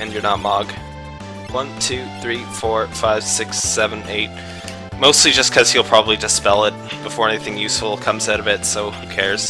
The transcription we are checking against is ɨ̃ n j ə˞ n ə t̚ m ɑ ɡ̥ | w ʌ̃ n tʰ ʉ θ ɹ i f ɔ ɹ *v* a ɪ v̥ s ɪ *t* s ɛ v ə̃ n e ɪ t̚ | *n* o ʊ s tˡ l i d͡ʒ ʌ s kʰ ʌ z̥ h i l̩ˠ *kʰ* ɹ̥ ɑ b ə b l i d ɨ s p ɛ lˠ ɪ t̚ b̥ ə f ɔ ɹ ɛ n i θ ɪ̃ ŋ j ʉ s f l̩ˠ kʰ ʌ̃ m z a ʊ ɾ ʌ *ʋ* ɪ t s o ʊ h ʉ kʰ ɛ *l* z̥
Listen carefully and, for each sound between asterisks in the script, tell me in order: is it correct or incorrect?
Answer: incorrect: f, incorrect: k, incorrect: m, incorrect: pʰ, incorrect: v, incorrect: ɹ

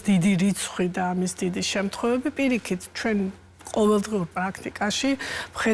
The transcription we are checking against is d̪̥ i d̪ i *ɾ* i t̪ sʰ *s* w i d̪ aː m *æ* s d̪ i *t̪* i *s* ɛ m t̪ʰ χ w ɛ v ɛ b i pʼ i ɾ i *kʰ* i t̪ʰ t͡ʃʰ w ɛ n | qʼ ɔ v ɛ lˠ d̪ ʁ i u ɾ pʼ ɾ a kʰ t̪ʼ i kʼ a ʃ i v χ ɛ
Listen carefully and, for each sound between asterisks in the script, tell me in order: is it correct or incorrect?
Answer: correct, incorrect: χ, incorrect: i, incorrect: d̪, incorrect: ʃ, correct

